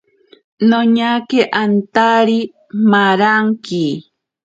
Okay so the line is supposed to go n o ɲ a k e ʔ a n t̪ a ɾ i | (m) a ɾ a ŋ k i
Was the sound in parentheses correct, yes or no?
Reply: yes